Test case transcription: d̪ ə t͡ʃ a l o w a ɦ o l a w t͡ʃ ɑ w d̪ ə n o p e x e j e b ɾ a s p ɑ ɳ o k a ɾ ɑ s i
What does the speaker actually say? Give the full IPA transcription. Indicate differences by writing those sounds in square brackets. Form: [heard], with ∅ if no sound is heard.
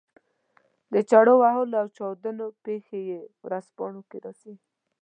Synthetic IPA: d̪ ə t͡ʃ a [ɽ] o w a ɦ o l a w t͡ʃ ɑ w d̪ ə n o p e x e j e [w] ɾ a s p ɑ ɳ o k [e] ɾ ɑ s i